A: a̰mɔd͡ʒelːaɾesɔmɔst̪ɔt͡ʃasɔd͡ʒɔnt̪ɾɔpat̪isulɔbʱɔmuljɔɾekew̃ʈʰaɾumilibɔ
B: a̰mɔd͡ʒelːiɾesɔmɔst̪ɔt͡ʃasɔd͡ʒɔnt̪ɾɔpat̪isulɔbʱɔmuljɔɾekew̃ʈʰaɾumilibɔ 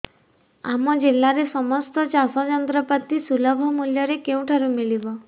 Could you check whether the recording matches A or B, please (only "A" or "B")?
A